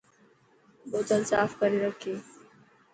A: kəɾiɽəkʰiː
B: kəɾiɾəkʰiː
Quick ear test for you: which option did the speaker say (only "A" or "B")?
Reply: B